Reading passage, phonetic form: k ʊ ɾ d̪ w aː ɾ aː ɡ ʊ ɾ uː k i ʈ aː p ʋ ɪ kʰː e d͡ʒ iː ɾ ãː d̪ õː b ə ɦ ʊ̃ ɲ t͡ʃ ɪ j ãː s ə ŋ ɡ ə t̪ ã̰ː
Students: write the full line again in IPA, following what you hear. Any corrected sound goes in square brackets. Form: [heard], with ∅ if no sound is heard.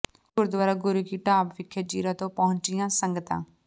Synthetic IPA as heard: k ʊ ɾ d̪ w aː ɾ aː ɡ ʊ ɾ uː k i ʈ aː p ʋ ɪ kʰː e d͡ʒ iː ɾ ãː [t̪] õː [p] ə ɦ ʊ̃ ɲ t͡ʃ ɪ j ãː s ə ŋ ɡ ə t̪ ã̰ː